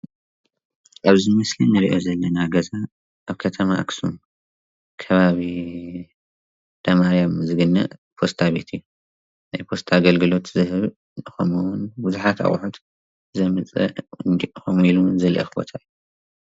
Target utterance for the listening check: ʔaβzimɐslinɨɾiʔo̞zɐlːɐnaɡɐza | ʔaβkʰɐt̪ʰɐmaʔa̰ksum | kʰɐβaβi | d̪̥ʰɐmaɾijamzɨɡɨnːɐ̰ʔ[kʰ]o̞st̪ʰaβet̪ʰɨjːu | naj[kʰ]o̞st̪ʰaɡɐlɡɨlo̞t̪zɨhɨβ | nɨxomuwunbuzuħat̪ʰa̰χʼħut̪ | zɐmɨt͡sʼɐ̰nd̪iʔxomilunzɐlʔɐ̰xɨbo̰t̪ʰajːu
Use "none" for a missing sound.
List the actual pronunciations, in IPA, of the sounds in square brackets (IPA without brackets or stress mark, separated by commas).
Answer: pʰ, pʰ